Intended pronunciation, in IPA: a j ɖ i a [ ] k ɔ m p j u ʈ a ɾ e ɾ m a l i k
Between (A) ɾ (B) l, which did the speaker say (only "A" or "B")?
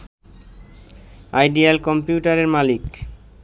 B